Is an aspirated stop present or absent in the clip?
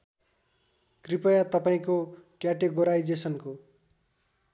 absent